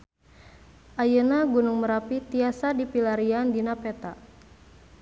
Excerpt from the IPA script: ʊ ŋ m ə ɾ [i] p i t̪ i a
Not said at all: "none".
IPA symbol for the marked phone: a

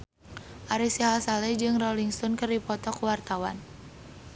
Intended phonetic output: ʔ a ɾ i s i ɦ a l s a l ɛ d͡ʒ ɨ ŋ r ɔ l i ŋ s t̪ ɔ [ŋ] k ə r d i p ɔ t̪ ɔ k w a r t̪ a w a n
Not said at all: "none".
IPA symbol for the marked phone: n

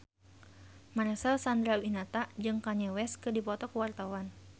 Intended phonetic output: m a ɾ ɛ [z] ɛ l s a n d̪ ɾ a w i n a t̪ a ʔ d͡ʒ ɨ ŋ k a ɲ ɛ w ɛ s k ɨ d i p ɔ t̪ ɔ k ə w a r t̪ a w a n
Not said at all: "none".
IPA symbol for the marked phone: s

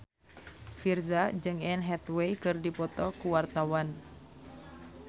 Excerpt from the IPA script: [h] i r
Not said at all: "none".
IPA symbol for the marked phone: f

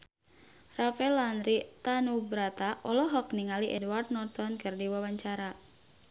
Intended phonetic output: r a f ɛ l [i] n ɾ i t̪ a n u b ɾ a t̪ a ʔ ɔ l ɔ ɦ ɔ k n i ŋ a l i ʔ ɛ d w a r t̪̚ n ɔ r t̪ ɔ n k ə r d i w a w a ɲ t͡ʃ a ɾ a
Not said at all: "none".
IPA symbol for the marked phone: a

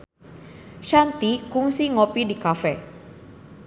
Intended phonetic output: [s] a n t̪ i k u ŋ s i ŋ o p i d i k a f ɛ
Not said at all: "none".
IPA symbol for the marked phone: ʃ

